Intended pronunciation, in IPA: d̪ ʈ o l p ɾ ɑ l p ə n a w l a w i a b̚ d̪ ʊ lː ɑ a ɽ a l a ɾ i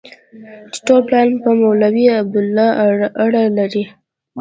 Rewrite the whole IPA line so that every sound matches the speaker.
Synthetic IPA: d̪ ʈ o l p l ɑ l p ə m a w l a w i a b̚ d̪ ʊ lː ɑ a ɽ a l a ɾ i